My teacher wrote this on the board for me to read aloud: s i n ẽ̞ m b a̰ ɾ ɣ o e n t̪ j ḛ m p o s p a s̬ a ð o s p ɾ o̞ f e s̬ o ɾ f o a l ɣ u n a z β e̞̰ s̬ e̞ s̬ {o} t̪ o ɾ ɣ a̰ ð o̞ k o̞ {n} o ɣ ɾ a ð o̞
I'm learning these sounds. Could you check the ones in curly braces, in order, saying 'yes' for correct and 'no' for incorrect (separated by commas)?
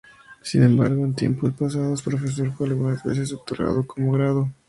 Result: yes, no